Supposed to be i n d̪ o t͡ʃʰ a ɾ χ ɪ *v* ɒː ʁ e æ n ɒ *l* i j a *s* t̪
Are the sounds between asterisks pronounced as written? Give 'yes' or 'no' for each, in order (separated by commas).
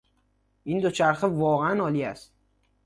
yes, yes, yes